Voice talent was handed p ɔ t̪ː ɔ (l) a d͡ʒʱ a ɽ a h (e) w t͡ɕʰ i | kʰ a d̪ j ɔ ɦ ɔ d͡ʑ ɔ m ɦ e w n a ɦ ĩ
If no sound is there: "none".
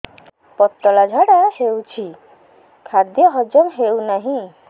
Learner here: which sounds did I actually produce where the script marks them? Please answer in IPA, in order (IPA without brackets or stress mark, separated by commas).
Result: l, e